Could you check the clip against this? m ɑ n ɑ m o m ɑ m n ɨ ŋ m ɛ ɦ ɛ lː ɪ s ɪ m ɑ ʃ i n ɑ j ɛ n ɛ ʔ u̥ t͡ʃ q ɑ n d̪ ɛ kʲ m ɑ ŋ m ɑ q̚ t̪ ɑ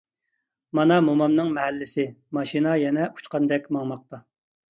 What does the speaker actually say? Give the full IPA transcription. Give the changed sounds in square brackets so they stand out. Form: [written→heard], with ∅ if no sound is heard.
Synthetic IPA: m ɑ n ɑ m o m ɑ m n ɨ ŋ m ɛ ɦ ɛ lː ɪ s ɪ m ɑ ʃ i n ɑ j ɛ n ɛ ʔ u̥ t͡ʃ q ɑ n d̪ ɛ kʲ m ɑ ŋ m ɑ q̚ t̪ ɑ